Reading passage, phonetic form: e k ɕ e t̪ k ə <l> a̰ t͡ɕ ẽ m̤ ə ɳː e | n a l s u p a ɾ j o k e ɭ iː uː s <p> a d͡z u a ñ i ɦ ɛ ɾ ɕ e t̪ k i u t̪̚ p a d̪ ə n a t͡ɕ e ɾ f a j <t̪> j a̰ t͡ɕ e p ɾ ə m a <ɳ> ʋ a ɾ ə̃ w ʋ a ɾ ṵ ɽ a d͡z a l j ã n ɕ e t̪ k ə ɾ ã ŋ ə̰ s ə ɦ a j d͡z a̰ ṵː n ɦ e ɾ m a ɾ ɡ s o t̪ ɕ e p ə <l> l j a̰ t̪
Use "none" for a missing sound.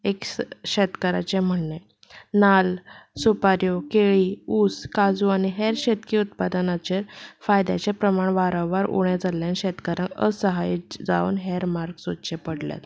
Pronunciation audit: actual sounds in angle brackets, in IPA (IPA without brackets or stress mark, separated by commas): ɾ, k, d̪, ɳ, ɽ